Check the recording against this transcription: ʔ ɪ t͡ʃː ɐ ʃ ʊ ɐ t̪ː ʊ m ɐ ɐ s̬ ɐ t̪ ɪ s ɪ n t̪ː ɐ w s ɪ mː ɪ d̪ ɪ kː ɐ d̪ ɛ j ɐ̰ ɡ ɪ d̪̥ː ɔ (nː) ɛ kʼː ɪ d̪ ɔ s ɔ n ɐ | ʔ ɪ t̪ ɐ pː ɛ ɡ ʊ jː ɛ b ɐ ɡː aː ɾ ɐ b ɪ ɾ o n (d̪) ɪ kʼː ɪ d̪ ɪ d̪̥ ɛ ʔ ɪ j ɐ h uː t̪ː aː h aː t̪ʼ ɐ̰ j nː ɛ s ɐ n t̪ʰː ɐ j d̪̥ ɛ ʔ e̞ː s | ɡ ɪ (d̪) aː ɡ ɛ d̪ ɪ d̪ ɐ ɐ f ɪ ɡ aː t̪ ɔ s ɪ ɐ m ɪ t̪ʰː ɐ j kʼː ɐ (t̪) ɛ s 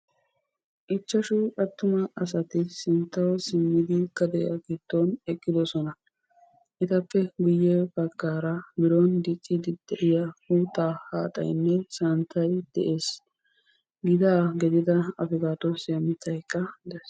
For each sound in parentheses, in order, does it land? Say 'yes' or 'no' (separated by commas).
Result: no, yes, yes, no